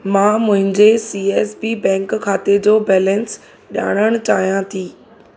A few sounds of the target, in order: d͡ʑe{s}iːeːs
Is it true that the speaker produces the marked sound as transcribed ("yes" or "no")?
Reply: yes